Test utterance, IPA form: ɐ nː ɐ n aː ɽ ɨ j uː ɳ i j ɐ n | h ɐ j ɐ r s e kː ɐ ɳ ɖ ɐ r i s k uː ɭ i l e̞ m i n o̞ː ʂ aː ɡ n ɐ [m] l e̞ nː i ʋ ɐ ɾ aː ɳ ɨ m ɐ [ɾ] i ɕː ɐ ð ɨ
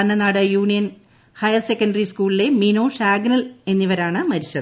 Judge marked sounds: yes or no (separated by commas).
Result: no, yes